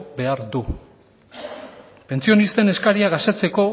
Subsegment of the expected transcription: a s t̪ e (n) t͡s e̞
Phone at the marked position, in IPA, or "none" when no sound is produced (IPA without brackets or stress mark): none